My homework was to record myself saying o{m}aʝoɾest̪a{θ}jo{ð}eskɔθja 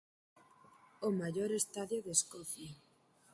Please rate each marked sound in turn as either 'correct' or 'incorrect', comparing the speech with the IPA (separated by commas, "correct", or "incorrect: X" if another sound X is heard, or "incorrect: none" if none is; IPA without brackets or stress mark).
correct, incorrect: ð, correct